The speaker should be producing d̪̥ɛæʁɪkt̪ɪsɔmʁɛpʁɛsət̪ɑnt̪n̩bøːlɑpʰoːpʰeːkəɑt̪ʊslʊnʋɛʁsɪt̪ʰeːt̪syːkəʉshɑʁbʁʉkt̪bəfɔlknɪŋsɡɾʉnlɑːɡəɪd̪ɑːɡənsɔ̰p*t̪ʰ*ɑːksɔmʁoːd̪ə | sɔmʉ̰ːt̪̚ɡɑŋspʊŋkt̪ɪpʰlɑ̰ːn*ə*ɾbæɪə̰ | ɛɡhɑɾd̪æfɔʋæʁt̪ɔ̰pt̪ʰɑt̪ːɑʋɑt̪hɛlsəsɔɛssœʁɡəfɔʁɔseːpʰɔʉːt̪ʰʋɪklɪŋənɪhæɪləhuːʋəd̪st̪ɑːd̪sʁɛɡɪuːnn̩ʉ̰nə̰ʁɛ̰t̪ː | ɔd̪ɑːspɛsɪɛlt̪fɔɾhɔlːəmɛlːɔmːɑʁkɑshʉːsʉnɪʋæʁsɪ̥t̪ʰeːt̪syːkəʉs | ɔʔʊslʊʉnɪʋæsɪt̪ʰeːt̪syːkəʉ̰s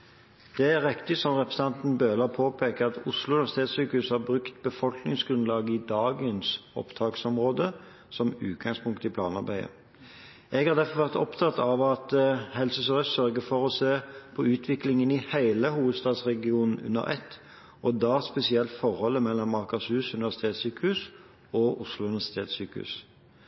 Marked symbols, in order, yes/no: yes, no

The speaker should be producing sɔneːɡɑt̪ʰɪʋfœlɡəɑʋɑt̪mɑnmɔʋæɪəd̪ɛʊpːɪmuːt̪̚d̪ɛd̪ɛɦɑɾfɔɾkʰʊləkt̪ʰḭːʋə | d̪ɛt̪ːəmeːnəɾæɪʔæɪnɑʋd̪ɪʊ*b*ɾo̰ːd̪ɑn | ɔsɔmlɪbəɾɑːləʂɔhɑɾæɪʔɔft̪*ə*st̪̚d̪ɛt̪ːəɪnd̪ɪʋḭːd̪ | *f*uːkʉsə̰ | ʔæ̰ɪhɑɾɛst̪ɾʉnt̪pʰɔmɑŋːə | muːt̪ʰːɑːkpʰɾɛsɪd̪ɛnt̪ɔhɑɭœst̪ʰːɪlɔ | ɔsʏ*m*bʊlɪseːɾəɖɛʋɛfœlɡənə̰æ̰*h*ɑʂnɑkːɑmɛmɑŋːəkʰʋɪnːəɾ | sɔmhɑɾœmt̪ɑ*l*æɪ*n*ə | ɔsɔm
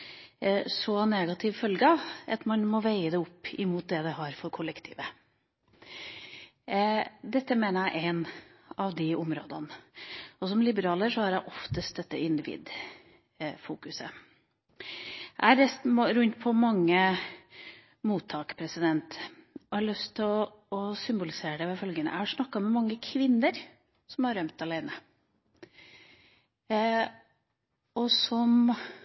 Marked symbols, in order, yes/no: no, yes, yes, yes, yes, yes, yes

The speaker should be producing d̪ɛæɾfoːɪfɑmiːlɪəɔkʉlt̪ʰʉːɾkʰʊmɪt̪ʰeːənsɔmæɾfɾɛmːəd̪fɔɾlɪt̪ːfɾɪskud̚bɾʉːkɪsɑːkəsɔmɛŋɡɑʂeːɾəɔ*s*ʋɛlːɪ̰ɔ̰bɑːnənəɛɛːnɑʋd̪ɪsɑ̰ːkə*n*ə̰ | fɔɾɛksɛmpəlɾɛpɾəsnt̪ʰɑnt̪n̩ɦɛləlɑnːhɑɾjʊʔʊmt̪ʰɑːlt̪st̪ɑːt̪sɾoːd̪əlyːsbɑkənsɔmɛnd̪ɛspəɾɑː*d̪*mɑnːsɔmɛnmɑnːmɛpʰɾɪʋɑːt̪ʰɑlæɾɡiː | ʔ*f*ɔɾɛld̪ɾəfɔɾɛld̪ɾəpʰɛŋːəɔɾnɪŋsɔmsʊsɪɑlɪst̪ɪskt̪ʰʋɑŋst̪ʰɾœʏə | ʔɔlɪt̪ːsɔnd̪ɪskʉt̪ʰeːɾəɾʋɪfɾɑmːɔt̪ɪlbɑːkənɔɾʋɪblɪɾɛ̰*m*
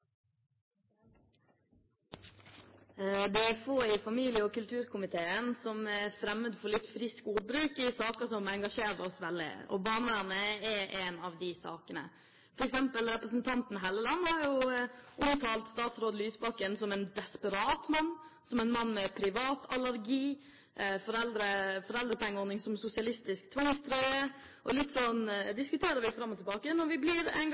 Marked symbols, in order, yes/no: yes, yes, no, yes, no

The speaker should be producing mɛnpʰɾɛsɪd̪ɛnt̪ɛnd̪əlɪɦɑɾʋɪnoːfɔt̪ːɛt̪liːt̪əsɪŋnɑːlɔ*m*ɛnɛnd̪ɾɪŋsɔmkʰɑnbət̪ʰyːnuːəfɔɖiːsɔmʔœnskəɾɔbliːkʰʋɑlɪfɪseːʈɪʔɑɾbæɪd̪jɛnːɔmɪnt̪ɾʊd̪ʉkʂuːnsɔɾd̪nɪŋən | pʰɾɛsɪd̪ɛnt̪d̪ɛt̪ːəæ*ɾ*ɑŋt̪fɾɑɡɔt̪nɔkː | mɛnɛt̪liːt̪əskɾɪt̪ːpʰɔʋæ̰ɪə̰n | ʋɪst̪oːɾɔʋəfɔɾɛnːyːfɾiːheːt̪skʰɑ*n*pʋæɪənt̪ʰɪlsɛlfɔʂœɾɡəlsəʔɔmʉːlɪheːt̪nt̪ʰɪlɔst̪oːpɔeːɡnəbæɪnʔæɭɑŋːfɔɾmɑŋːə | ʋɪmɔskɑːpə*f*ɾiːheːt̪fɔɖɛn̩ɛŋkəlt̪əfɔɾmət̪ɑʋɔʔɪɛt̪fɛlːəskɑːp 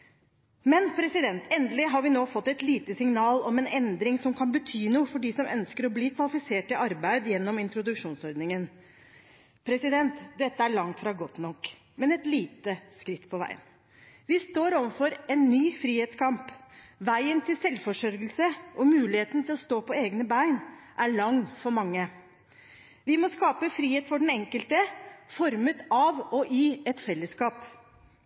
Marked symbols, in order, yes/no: yes, no, no, yes

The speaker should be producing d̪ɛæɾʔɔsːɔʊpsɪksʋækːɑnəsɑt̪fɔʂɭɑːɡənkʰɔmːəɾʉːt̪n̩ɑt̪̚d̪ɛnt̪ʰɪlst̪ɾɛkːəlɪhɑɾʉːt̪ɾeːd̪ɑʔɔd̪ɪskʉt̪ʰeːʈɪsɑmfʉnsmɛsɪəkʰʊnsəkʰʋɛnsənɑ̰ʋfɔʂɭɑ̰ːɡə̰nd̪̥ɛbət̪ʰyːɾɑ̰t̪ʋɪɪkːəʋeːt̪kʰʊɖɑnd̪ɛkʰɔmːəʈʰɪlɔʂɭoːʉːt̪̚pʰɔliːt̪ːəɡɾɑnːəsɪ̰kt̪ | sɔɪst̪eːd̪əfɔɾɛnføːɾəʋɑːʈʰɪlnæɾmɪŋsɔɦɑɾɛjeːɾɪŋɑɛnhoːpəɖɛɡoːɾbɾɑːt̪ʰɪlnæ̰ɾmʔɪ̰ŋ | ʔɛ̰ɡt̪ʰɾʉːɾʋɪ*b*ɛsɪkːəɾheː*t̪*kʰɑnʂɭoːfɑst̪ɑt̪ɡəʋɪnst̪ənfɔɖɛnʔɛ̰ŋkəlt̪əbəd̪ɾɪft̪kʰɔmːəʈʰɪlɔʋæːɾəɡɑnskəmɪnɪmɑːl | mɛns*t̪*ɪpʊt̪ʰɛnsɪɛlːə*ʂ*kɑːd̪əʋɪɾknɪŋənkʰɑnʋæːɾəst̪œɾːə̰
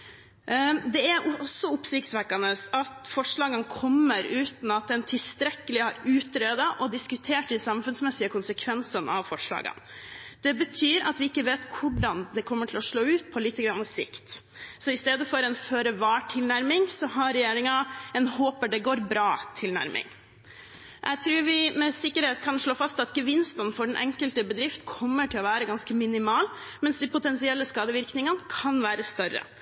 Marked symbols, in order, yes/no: no, yes, no, no

